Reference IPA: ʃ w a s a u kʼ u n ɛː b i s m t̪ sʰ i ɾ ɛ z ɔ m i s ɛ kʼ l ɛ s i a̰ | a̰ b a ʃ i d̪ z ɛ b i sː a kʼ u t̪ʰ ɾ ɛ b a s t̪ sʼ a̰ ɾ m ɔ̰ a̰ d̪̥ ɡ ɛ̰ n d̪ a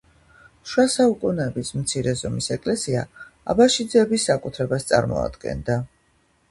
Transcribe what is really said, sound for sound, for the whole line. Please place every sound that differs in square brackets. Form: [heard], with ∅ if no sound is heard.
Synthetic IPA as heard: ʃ w a s a u kʼ u n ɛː b i s m t̪ sʰ i ɾ ɛ z ɔ m i s ɛ kʼ l ɛ s i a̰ | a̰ b a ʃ i d̪ z ɛ b i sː a kʼ u t̪ʰ ɾ ɛ b a s t̪ sʼ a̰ ɾ m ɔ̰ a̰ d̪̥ ɡ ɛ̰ n d̪ a